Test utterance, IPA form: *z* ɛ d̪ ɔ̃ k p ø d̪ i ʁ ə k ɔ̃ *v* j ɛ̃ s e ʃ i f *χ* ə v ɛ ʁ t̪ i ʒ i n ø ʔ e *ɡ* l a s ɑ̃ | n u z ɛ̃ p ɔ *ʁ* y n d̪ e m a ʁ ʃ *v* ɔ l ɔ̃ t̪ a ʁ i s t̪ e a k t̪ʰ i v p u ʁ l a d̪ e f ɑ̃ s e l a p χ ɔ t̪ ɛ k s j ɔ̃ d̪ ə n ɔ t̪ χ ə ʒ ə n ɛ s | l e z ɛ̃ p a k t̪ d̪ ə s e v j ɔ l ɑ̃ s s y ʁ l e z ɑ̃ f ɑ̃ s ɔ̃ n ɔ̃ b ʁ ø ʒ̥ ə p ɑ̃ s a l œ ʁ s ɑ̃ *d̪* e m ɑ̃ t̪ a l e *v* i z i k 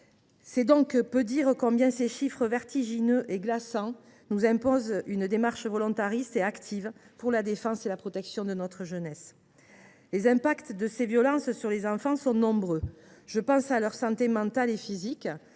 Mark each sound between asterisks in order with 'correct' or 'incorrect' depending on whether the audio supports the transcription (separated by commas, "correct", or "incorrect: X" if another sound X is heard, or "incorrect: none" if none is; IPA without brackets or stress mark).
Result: incorrect: s, incorrect: b, correct, correct, incorrect: z, correct, incorrect: t̪, incorrect: f